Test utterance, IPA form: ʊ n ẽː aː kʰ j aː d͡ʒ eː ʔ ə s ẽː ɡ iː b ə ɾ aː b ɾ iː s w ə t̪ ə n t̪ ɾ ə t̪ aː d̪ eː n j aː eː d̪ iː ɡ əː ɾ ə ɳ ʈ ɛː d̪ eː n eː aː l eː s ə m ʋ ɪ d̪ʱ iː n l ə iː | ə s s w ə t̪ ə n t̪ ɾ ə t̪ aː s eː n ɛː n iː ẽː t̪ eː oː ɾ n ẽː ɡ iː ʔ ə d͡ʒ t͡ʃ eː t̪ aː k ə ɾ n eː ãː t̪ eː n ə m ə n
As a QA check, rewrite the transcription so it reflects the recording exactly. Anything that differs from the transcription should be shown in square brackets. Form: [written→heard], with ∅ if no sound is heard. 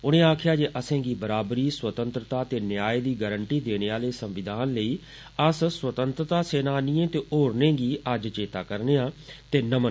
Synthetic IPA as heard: ʊ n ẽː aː kʰ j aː d͡ʒ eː ʔ ə s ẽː ɡ iː b ə ɾ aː b ɾ iː s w ə t̪ ə n t̪ ɾ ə t̪ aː [d̪→t̪] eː n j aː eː d̪ iː ɡ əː ɾ ə ɳ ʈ [ɛː→iː] d̪ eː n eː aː l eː s ə m ʋ ɪ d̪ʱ [iː→aː] n l ə iː | ə s s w ə t̪ ə n t̪ ɾ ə t̪ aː s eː n [ɛː→aː] n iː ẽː t̪ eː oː ɾ n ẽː ɡ iː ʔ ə d͡ʒ t͡ʃ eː t̪ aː k ə ɾ n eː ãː t̪ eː n ə m ə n